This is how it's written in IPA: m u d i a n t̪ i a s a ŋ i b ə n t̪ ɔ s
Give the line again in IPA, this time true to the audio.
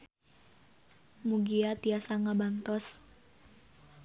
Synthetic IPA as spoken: m u ɡ i a t̪ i a s a ŋ a b a n t̪ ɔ s